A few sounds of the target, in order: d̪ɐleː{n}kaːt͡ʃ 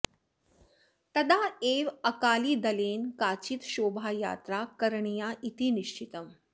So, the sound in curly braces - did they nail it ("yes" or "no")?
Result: yes